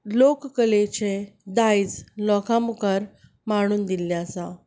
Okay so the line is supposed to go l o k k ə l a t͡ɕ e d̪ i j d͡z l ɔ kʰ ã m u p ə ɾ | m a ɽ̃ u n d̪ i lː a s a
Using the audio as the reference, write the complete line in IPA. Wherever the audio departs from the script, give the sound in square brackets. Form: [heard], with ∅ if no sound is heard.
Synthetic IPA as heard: l o k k ə l [e] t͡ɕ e d̪ [a] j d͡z l ɔ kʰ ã m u [k] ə ɾ | m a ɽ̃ [uː] n d̪ i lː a s a